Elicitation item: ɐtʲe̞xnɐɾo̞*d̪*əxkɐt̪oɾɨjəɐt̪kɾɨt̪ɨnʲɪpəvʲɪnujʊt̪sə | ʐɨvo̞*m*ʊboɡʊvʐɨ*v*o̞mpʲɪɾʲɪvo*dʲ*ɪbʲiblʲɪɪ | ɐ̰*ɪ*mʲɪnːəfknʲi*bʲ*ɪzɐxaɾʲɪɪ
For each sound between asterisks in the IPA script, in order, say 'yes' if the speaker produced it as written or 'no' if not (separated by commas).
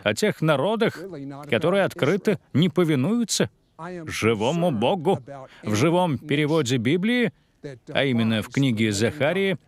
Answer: yes, yes, yes, yes, no, no